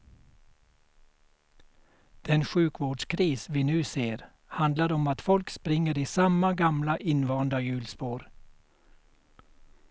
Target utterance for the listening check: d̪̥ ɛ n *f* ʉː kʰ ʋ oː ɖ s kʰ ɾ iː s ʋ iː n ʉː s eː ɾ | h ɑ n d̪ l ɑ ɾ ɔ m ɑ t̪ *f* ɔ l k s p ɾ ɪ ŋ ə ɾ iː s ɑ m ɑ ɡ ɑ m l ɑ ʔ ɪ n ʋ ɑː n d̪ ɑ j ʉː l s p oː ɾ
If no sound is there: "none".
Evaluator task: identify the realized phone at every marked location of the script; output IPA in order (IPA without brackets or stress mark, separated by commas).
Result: ʃ, f